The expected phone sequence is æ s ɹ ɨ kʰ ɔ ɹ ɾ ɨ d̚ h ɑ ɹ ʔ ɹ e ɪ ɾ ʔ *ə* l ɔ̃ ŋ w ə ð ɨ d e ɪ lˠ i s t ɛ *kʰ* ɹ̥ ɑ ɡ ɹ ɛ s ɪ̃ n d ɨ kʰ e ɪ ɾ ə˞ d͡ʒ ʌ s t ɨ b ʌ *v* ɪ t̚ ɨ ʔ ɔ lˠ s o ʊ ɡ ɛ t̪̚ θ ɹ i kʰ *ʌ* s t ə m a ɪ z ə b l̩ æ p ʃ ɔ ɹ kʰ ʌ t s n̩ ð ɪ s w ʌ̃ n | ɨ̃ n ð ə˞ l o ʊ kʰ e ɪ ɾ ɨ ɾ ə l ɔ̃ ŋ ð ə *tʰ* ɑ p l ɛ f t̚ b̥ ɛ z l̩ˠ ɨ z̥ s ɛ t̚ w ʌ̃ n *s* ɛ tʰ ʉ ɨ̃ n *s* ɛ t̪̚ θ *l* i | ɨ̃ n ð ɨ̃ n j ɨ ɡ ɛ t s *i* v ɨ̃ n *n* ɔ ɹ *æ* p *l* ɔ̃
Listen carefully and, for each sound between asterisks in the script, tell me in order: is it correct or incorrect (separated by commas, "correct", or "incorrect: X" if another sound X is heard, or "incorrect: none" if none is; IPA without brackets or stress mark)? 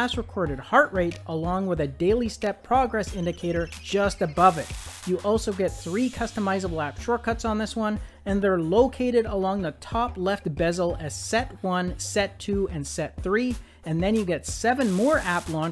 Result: correct, incorrect: pʰ, correct, correct, correct, correct, correct, incorrect: ɹ, incorrect: ɛ, incorrect: m, correct, correct